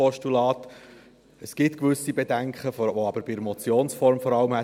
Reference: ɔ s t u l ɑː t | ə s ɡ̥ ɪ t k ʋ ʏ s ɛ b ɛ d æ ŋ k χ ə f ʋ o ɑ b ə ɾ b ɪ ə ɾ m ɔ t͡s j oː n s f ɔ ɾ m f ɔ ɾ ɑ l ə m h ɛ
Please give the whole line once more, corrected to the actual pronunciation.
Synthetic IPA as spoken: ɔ ʃ t u l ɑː t | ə s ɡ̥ ɪ t k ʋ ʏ s i b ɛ d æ ŋ k χ ə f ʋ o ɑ b ə ɾ b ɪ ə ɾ m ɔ t͡s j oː n s f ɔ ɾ m f ɔ ɾ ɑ l ə m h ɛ